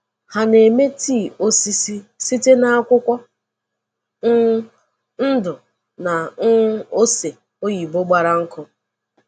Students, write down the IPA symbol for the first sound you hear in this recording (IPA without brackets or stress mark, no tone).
h